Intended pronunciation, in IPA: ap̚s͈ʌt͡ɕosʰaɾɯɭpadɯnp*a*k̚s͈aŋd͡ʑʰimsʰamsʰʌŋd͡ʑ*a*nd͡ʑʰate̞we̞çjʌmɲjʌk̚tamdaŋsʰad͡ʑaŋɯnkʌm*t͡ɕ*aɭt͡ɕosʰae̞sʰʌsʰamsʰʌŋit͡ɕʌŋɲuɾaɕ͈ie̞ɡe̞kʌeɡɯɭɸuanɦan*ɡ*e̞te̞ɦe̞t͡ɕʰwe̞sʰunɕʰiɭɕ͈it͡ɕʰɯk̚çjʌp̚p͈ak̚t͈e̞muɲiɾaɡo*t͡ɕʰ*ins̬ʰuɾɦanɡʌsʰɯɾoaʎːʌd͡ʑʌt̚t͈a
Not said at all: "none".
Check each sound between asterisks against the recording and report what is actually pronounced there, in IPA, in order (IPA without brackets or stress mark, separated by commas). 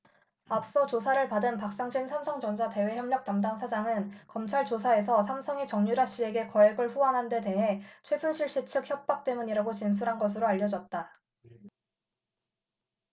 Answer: a, ʌ, t͡ɕʰ, d, t͡ɕ